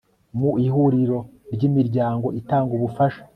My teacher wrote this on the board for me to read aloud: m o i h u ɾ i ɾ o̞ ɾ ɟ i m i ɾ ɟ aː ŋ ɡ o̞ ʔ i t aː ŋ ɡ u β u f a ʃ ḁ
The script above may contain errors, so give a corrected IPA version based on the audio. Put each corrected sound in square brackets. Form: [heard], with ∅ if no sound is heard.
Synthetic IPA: m [u] i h u ɾ i ɾ o̞ ɾ ɟ i m i ɾ ɟ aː ŋ ɡ o̞ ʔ i t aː ŋ ɡ u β u f a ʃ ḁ